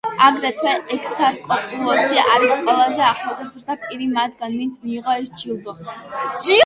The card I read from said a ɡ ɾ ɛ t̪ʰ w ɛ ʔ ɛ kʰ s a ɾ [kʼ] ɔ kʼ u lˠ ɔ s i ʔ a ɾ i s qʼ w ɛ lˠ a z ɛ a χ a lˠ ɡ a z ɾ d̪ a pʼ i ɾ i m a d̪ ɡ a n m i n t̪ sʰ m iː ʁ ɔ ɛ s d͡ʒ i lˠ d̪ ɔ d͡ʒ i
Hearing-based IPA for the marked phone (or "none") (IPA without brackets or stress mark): kʼ